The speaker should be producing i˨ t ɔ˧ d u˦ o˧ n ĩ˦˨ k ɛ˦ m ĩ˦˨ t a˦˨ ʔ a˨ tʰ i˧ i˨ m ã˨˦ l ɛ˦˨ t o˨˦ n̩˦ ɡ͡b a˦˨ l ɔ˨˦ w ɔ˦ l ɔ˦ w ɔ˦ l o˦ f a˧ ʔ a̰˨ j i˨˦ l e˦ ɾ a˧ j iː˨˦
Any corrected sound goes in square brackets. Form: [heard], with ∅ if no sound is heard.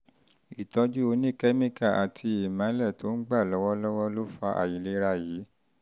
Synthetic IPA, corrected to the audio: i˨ t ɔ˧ [d͡ʒ] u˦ o˧ n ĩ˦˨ k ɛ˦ m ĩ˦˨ [k] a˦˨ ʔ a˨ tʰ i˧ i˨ m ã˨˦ l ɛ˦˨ t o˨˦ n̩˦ ɡ͡b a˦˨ l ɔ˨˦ w ɔ˦ l ɔ˦ w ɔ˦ l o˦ f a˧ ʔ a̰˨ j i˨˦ l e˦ ɾ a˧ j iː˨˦